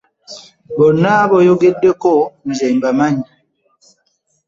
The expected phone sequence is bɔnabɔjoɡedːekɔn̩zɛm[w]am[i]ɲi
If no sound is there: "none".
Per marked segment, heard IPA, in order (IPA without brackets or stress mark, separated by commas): b, a